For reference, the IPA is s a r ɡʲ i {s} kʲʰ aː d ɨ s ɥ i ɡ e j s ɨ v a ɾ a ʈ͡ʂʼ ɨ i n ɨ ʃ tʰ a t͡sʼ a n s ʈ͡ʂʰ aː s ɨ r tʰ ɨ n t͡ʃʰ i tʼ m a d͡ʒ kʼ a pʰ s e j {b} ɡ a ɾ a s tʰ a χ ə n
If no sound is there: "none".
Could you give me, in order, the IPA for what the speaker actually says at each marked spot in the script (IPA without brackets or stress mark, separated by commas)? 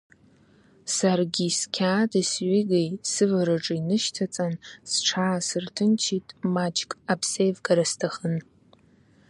s, v